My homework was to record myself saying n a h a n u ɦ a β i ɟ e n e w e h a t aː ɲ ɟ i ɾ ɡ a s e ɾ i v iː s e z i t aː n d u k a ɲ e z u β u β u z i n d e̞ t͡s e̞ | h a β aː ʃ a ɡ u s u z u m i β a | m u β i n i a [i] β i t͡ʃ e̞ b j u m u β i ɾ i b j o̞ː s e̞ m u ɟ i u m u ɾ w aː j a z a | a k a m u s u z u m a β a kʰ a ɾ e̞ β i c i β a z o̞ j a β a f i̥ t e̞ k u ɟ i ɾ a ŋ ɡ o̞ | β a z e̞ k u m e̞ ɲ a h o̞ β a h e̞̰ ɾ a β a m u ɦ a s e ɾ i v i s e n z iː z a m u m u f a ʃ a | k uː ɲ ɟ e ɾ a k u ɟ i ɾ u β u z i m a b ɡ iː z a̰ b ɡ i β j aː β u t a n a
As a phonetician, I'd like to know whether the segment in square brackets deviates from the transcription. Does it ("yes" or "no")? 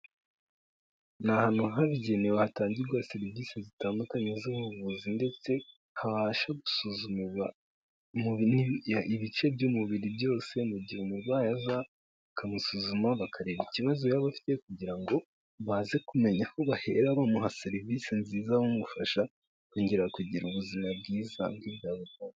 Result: no